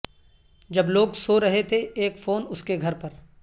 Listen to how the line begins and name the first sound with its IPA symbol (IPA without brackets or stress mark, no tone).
d͡ʒ